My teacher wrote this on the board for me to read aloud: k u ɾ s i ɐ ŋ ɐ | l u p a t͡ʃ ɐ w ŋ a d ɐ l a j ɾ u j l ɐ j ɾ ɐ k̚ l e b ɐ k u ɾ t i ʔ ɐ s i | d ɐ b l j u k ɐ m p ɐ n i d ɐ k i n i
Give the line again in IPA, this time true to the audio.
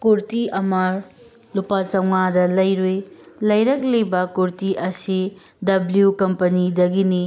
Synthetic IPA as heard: k u ɾ t i ɐ m ɐ | l u p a t͡ʃ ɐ w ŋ a d ɐ l ɐ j ɾ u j l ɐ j ɾ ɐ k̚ l e b ɐ k u ɾ t i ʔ ɐ s i | d ɐ b l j u k ɐ m p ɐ n i d ɐ ɡ i n i